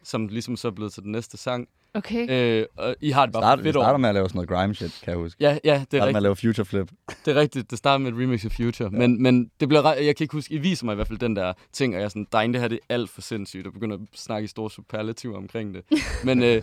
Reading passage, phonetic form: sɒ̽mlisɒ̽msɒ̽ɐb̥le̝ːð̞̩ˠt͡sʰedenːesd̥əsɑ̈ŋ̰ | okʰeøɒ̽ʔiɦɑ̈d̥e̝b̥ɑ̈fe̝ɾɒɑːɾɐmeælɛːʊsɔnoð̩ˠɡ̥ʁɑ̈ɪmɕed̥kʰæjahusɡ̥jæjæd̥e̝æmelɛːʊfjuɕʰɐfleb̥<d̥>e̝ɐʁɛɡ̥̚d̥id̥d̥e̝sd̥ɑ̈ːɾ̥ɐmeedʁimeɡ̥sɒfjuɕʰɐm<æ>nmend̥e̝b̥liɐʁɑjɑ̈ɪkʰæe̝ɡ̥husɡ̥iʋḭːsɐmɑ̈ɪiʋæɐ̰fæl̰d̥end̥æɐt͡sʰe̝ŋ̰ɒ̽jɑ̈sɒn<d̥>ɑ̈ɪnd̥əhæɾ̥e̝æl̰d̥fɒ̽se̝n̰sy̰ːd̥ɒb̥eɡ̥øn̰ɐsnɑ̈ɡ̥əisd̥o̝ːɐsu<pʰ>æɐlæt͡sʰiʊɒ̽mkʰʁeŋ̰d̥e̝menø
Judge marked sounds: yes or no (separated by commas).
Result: yes, no, yes, yes